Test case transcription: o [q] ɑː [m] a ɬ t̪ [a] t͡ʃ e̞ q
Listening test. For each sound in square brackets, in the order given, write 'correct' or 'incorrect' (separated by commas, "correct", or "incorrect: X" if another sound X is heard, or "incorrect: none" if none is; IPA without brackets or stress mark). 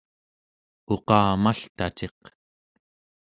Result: correct, correct, correct